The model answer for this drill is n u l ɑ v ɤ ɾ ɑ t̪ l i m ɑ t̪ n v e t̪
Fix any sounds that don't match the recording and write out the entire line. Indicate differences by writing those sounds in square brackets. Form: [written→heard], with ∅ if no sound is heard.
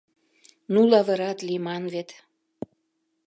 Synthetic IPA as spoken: n u l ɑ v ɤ ɾ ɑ t̪ l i m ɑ [t̪→∅] n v e t̪